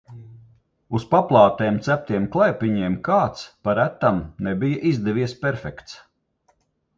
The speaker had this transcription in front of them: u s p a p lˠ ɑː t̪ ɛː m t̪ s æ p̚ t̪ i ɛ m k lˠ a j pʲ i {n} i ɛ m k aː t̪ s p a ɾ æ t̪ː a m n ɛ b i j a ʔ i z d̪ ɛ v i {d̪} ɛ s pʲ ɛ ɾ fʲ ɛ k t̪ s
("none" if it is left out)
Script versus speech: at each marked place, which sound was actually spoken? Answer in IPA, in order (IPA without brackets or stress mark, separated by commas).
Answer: ɲ, none